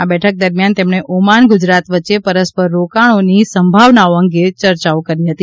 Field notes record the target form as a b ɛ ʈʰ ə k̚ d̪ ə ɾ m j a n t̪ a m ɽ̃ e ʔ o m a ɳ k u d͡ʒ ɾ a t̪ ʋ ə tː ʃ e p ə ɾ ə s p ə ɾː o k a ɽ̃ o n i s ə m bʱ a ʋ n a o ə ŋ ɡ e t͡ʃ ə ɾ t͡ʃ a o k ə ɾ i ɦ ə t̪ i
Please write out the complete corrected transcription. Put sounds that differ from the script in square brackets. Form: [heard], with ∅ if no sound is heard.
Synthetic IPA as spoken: a b ɛ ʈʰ ə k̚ d̪ ə ɾ m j a n t̪ [e] m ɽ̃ e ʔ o m a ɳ [ɡ] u d͡ʒ ɾ a t̪ ʋ ə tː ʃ e p ə ɾ ə s p ə ɾː o k a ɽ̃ o n i s ə m bʱ a ʋ n a o ə ŋ ɡ e t͡ʃ ə ɾ t͡ʃ a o k ə ɾ i ɦ ə t̪ i